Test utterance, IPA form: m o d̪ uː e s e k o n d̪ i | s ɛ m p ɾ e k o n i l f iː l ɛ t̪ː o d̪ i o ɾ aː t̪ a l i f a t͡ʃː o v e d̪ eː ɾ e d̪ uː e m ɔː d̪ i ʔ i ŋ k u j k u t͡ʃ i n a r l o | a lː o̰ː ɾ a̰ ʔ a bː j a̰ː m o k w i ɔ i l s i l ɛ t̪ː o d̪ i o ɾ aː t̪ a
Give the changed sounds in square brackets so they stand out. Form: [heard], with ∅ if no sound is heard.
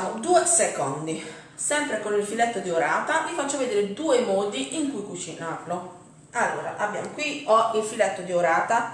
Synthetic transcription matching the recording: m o d̪ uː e s e k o n d̪ i | s ɛ m p ɾ e k o n i l f [i] l ɛ t̪ː o d̪ i o ɾ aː t̪ a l i f a t͡ʃː o v e d̪ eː ɾ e d̪ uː e m ɔː d̪ i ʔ i ŋ k u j k u t͡ʃ i n a r l o | a lː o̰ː ɾ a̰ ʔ a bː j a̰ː m o k w i ɔ i l [f] i l ɛ t̪ː o d̪ i o ɾ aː t̪ a